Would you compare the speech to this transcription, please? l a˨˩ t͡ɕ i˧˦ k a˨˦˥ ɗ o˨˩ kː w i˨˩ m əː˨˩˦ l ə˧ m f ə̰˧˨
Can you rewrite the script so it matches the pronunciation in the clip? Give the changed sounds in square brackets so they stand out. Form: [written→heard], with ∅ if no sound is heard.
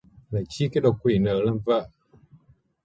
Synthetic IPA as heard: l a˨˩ t͡ɕ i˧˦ k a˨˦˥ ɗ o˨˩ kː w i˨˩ [m→n] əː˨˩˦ l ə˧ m [f→v] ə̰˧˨